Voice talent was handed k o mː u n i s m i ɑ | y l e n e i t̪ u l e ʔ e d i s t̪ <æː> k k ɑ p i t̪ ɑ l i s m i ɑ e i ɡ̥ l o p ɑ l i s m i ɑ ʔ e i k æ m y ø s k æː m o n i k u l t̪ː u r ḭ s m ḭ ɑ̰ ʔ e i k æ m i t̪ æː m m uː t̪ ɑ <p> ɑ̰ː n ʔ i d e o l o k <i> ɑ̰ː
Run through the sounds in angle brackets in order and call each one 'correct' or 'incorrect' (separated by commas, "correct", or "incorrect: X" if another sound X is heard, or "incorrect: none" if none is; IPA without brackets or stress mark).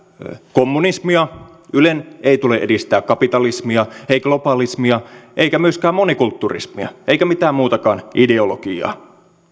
correct, incorrect: k, correct